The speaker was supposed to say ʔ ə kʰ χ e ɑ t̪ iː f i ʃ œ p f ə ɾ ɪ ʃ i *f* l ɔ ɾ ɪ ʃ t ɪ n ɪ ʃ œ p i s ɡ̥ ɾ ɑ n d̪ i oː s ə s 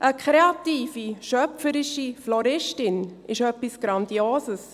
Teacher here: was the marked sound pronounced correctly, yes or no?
yes